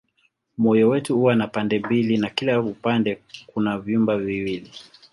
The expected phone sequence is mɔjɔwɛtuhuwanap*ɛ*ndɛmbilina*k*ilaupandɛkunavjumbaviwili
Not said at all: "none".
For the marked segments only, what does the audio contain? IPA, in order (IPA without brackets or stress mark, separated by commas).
a, k